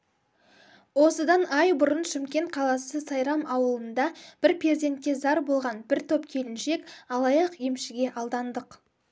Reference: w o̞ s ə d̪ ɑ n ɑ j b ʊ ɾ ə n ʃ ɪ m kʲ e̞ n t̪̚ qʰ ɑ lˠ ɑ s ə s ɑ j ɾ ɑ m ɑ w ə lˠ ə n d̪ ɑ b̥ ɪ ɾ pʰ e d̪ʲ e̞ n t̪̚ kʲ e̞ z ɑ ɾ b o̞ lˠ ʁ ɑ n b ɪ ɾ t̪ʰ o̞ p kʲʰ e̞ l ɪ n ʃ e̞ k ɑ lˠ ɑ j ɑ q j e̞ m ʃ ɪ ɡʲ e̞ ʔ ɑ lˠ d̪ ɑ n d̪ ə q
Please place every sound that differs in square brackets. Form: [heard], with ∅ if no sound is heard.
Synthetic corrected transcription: w o̞ s ə d̪ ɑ n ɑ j b ʊ ɾ ə n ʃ ɪ m kʲ e̞ n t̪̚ qʰ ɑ lˠ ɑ s ə s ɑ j ɾ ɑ m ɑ w ə lˠ ə n d̪ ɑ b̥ ɪ ɾ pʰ e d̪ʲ e̞ n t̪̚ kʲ e̞ z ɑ ɾ b o̞ lˠ ʁ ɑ n b ɪ ɾ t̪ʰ o̞ p kʲʰ e̞ l ɪ n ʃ e̞ k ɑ lˠ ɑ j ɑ q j e̞ m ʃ ɪ ɡʲ e̞ ʔ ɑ lˠ d̪ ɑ n d̪ ə q